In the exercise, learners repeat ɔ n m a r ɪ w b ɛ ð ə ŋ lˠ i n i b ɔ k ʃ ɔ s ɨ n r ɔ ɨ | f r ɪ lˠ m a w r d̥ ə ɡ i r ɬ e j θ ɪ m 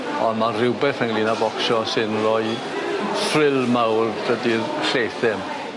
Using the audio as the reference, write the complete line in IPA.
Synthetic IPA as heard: ɔ n m a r ɪ w b ɛ θ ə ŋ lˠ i n a b ɔ k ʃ ɔ s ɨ n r ɔ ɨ | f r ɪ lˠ m a w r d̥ ə d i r ɬ e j θ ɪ m